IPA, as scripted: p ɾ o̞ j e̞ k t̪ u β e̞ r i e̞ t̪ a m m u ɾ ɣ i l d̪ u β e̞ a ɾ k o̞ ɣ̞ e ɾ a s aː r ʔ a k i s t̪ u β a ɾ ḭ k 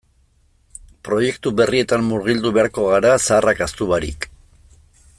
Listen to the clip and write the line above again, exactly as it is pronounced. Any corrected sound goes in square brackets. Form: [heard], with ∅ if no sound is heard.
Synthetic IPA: p ɾ o̞ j e̞ k t̪ u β e̞ r i e̞ t̪ a m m u ɾ ɣ i l d̪ u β e̞ a ɾ k o̞ ɣ̞ [a] ɾ a s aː r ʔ a k [a] s t̪ u β a ɾ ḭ k